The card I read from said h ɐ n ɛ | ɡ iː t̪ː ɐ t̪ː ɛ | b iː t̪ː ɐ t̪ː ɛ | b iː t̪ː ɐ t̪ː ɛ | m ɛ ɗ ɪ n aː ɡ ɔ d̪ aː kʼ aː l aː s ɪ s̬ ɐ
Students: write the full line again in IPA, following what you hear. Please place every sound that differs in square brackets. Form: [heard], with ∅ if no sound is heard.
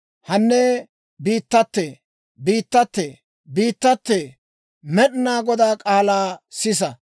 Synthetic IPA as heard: h ɐ [nː] ɛ | [b] iː t̪ː ɐ t̪ː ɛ | b iː t̪ː ɐ t̪ː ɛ | b iː t̪ː ɐ t̪ː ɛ | m ɛ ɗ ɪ n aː ɡ ɔ d̪ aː kʼ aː l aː s ɪ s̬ ɐ

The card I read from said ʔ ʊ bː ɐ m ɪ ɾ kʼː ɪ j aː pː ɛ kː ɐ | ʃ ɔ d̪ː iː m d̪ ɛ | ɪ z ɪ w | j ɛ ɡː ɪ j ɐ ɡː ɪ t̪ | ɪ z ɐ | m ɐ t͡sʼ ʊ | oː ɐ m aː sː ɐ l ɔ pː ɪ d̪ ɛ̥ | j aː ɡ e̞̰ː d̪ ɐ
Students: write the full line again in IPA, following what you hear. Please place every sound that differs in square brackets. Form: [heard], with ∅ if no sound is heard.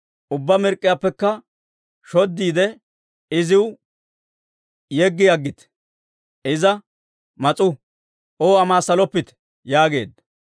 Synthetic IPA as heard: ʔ ʊ bː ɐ m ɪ ɾ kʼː ɪ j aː pː ɛ kː ɐ | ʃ ɔ d̪ː iː [∅] d̪ ɛ | ɪ z ɪ w | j ɛ ɡː ɪ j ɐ ɡː ɪ t̪ | ɪ z ɐ | m ɐ t͡sʼ ʊ | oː ɐ m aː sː ɐ l ɔ pː ɪ [t̪] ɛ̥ | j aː ɡ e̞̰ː d̪ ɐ

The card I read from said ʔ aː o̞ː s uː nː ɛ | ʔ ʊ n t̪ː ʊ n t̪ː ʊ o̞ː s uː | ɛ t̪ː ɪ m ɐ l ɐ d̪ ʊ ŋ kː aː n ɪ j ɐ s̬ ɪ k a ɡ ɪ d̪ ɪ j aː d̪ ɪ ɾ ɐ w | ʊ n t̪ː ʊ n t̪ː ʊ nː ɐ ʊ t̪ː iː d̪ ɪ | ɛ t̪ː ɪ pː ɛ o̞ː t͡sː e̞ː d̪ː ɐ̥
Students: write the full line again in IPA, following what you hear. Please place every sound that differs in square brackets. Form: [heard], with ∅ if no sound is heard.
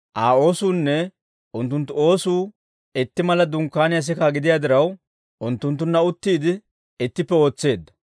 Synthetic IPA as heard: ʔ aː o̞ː s uː nː ɛ | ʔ ʊ n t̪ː ʊ n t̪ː ʊ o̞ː s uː | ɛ t̪ː ɪ m ɐ l ɐ d̪ ʊ ŋ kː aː n ɪ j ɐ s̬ ɪ k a ɡ ɪ d̪ ɪ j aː d̪ ɪ ɾ ɐ w | ʊ n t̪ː ʊ n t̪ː ʊ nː ɐ ʊ t̪ː iː d̪ ɪ | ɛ t̪ː ɪ pː ɛ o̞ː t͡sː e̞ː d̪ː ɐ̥

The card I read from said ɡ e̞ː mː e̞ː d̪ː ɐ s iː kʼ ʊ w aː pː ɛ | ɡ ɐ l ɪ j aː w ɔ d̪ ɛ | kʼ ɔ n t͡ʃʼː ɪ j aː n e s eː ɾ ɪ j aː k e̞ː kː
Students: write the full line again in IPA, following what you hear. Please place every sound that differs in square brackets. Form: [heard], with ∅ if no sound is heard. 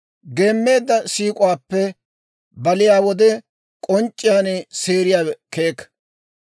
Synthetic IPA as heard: ɡ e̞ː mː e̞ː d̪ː ɐ s iː kʼ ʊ w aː pː ɛ | [b] ɐ l ɪ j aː w ɔ d̪ ɛ | kʼ ɔ n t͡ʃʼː ɪ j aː n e s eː ɾ ɪ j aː k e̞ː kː

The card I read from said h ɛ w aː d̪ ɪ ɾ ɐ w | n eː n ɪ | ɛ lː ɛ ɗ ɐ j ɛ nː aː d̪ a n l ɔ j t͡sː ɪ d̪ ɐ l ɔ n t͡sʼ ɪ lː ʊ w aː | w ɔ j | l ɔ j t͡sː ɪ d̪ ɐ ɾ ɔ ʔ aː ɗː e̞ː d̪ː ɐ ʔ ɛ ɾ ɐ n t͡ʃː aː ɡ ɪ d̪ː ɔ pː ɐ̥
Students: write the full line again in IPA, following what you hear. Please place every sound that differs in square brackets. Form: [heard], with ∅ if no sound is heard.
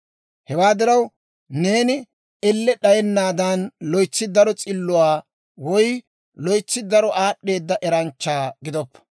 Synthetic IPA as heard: h ɛ w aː d̪ ɪ ɾ ɐ w | n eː n ɪ | ɛ lː ɛ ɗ ɐ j ɛ nː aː d̪ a n l ɔ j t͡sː ɪ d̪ ɐ [ɾ] ɔ [∅] t͡sʼ ɪ lː ʊ w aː | w ɔ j | l ɔ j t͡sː ɪ d̪ ɐ ɾ ɔ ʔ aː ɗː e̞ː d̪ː ɐ ʔ ɛ ɾ ɐ n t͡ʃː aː ɡ ɪ [d̪] ɔ pː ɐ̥

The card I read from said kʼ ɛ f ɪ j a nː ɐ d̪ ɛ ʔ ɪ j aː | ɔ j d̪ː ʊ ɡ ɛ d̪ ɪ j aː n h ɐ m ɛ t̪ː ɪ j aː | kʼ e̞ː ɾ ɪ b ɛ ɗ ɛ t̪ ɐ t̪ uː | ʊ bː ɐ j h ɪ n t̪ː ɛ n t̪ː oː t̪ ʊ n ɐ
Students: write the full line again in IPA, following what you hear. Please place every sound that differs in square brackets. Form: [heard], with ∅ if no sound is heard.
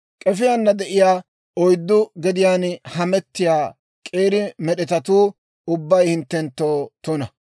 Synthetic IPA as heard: kʼ ɛ f ɪ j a nː ɐ d̪ ɛ ʔ ɪ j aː | ɔ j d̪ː ʊ ɡ ɛ d̪ ɪ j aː n h ɐ m ɛ t̪ː ɪ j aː | kʼ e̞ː ɾ ɪ [m] ɛ ɗ ɛ t̪ ɐ t̪ uː | ʊ bː ɐ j h ɪ n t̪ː ɛ n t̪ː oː t̪ ʊ n ɐ

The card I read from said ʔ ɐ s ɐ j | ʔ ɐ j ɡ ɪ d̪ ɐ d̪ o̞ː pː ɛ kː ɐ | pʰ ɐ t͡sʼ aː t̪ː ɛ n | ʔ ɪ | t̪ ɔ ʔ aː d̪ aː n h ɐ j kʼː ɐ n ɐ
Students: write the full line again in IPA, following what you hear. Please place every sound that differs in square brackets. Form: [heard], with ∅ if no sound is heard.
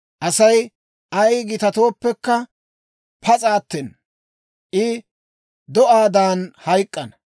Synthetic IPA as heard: ʔ ɐ s ɐ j | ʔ ɐ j ɡ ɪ [t̪] ɐ [t̪] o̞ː pː ɛ kː ɐ | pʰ ɐ t͡sʼ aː t̪ː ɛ n | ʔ ɪ | [d̪] ɔ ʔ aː d̪ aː n h ɐ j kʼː ɐ n ɐ

